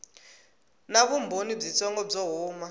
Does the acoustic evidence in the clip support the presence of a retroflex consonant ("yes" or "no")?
yes